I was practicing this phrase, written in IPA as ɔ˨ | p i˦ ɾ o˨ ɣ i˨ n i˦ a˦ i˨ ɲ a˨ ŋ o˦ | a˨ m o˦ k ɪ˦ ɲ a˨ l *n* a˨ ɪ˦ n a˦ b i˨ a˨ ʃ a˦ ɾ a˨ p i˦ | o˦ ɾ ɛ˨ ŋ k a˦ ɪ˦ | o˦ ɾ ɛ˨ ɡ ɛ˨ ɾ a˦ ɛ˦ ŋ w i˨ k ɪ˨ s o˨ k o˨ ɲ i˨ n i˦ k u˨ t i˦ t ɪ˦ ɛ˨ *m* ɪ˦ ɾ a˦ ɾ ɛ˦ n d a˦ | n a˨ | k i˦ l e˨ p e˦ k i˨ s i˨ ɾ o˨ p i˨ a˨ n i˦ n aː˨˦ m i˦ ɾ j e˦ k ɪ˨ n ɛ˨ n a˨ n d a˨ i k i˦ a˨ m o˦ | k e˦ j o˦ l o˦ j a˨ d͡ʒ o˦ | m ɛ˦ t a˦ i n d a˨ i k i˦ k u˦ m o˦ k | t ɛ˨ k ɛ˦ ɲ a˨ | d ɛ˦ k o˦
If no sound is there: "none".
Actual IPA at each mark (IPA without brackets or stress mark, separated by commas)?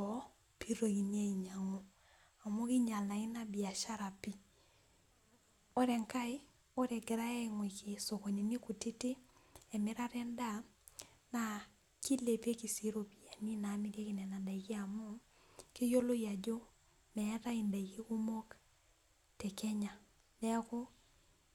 n, m